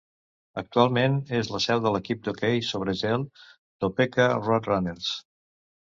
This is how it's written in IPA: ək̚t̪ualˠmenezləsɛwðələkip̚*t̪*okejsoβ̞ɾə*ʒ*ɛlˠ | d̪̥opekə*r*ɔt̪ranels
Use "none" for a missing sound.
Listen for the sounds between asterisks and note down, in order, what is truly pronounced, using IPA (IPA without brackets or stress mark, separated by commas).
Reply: d̪, ʒ, r